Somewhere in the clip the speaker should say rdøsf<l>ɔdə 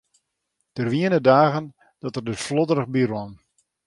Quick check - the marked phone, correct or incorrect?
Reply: correct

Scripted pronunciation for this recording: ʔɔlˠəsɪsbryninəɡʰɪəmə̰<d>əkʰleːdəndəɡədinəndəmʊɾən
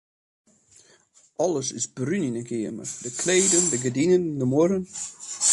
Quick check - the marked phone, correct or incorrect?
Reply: correct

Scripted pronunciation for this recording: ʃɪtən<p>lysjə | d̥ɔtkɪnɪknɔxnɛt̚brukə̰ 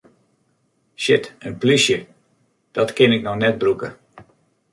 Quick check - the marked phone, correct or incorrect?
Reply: correct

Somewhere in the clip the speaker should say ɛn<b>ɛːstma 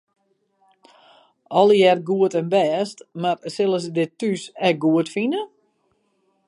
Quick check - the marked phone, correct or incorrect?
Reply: correct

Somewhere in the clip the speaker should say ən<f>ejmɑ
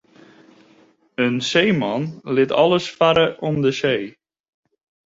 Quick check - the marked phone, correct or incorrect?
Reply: incorrect: s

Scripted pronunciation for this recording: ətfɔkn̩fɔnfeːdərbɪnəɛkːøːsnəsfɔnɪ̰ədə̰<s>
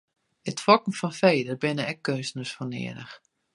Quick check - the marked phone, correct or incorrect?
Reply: incorrect: x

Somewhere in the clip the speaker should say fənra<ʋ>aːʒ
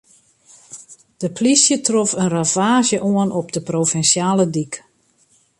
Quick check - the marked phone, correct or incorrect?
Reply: incorrect: v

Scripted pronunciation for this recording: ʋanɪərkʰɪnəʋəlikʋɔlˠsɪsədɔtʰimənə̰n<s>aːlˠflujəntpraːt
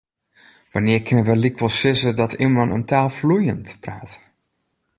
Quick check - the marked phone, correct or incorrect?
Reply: incorrect: t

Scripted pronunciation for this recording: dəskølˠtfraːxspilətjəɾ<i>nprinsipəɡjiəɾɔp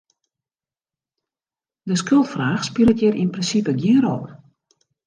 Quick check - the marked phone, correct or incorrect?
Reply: correct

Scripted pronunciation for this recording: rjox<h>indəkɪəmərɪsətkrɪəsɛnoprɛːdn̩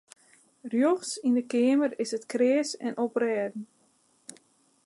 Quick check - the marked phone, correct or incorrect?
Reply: incorrect: s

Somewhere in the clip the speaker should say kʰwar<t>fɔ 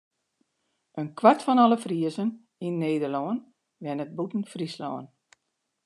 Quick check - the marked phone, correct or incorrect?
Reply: correct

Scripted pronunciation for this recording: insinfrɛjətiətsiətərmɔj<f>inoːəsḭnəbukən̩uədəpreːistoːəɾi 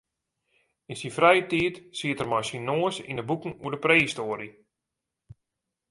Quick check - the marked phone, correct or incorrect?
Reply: incorrect: s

